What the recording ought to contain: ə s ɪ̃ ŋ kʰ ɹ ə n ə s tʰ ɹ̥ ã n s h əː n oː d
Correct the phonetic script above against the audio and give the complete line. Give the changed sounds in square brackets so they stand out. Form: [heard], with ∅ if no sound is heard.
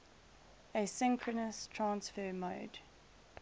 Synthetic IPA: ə s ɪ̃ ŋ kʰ ɹ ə n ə s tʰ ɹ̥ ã n s [f] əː [m] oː d